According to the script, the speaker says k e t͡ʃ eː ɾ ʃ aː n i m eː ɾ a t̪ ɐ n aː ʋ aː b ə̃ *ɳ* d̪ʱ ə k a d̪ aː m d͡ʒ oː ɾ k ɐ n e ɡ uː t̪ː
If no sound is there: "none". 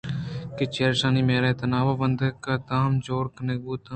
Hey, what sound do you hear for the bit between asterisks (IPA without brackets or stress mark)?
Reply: n